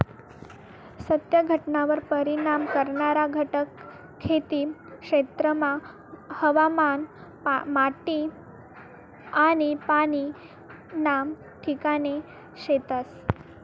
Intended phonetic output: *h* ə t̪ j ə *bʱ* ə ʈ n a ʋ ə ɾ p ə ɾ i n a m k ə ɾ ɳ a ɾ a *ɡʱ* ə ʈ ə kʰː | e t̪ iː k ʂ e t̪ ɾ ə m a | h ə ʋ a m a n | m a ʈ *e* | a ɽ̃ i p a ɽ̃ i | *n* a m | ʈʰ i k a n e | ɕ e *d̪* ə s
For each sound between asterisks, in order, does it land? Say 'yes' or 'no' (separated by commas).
no, no, yes, no, yes, no